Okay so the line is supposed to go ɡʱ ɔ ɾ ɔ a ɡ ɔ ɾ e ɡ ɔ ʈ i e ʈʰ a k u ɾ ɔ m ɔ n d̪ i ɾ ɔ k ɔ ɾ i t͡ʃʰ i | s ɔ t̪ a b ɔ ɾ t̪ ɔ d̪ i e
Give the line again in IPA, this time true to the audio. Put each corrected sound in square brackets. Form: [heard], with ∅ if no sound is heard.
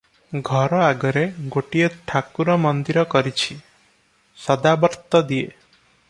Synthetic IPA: ɡʱ ɔ ɾ ɔ a ɡ ɔ ɾ e ɡ [o] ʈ i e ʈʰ a k u ɾ ɔ m ɔ n d̪ i ɾ ɔ k ɔ ɾ i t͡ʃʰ i | s ɔ [d̪] a b ɔ ɾ t̪ ɔ d̪ i e